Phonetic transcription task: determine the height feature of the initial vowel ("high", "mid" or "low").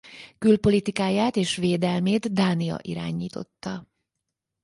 high